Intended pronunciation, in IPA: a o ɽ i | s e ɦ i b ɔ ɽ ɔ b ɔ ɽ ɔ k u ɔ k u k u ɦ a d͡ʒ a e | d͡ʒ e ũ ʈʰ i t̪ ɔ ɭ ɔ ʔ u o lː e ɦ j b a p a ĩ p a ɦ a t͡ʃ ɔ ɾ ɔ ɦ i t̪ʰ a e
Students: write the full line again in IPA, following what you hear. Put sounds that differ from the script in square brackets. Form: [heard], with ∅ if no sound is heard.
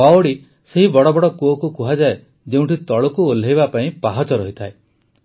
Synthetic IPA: a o ɽ i | s e ɦ i b ɔ ɽ ɔ b ɔ ɽ ɔ k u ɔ k u k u ɦ a d͡ʒ a e | d͡ʒ e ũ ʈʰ i t̪ ɔ ɭ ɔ [k] u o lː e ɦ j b a p a ĩ p a ɦ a t͡ʃ ɔ ɾ ɔ ɦ i t̪ʰ a e